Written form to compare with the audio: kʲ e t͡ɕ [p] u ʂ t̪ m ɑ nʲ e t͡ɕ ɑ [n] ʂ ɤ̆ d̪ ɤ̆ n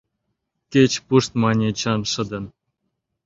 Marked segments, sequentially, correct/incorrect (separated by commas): correct, correct